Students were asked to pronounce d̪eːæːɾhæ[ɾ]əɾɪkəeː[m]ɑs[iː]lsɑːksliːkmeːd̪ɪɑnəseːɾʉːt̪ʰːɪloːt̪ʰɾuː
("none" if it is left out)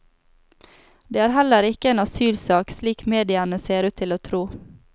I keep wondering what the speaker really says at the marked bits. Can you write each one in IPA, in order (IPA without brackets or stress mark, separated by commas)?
l, n, yː